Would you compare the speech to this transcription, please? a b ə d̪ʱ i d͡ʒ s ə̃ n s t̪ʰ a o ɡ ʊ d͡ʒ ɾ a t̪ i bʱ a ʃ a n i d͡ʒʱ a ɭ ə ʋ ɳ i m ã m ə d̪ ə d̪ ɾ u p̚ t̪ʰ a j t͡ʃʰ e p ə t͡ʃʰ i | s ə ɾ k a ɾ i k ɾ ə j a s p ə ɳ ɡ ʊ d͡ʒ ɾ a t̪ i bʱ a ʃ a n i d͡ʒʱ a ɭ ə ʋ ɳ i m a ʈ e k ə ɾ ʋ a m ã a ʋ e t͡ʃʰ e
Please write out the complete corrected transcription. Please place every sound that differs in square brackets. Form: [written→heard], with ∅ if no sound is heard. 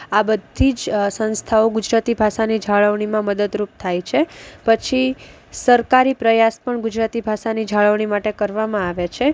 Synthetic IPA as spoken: a b ə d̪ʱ i d͡ʒ s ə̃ n s t̪ʰ a o ɡ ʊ d͡ʒ ɾ a t̪ i bʱ a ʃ a n i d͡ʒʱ a ɭ ə ʋ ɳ i m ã m ə d̪ ə d̪ ɾ u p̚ t̪ʰ a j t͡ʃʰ e p ə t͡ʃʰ i | s ə ɾ k a ɾ i [k→p] ɾ ə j a s p ə ɳ ɡ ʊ d͡ʒ ɾ a t̪ i bʱ a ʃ a n i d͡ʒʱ a ɭ ə ʋ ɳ i m a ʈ e k ə ɾ ʋ a m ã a ʋ e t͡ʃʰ e